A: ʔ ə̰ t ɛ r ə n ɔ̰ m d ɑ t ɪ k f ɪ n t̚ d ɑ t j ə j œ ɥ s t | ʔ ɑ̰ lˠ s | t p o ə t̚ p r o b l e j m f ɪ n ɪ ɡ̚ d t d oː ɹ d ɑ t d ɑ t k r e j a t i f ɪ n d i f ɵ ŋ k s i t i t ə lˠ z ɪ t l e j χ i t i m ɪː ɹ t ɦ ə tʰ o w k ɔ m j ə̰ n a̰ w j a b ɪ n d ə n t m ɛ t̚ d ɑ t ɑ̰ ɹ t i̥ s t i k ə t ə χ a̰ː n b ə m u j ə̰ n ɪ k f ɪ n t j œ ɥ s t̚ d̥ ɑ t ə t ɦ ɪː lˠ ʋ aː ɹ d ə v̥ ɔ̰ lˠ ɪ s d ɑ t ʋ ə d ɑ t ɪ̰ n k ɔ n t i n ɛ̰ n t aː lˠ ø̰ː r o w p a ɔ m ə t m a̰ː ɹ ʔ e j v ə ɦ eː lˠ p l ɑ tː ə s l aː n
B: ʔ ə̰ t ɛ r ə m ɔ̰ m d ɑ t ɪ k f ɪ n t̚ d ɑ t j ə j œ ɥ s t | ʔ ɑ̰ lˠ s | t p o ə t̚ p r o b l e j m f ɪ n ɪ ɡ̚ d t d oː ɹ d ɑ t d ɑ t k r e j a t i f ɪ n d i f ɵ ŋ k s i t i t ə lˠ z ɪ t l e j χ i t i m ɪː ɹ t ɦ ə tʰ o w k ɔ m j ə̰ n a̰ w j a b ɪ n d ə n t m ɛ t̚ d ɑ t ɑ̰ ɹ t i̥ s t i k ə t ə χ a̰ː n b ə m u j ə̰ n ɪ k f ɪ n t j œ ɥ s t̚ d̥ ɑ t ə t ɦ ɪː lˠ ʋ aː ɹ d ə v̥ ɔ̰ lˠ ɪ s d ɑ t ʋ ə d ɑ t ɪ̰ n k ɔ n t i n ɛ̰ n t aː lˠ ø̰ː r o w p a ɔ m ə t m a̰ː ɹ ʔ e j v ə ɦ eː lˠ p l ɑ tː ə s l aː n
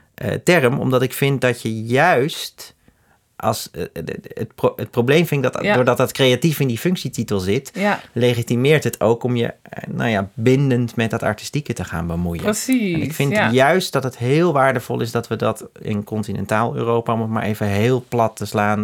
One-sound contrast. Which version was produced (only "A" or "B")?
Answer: B